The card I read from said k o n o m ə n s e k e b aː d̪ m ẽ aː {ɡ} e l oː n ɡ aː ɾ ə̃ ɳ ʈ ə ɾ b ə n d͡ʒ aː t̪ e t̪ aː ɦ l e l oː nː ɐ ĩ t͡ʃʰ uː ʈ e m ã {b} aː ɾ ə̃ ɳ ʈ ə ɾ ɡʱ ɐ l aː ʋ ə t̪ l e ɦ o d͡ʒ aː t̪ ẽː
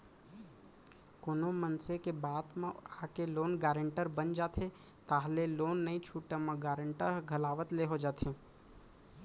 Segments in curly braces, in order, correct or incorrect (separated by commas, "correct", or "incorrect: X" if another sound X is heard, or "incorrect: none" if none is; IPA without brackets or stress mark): incorrect: k, incorrect: ɡ